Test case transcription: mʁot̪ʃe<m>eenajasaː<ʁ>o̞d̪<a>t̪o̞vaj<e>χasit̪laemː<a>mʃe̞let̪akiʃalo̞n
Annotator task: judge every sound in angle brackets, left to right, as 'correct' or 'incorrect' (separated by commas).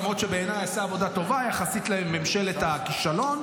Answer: incorrect, incorrect, correct, incorrect, incorrect